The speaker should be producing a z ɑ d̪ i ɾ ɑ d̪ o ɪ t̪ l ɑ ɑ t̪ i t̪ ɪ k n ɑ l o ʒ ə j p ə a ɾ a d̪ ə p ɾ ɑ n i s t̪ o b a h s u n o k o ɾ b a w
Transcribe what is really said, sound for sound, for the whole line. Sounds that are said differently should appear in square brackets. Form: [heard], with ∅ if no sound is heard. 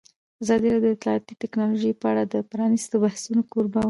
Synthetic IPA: a z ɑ d̪ i ɾ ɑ d̪ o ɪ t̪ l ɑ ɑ t̪ i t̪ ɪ k n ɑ l o ʒ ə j p ə a [ɽ] a d̪ ə p ɾ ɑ n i s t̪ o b a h s u n o k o ɾ b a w